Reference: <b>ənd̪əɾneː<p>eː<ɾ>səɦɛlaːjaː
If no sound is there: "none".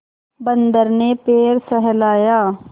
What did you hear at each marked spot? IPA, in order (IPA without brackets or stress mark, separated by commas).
b, p, ɾ